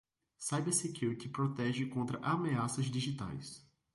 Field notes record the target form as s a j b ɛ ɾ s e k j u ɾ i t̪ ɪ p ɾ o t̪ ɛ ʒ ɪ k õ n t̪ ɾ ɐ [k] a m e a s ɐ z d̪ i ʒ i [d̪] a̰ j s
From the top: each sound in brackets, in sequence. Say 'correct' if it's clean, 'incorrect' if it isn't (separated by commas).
incorrect, incorrect